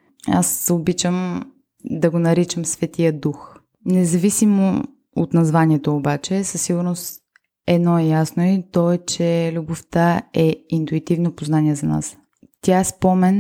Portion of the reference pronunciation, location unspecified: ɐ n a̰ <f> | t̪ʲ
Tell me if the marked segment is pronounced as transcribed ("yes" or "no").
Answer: no